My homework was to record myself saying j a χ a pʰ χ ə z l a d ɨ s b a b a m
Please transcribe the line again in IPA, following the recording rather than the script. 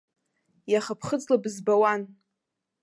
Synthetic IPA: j a χ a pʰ χ ə d͡z l a b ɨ z b a w a n